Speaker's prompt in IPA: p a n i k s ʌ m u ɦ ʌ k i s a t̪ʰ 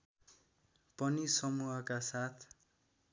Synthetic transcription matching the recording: p ʌ n i s ʌ m u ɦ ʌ k a s a t̪ʰ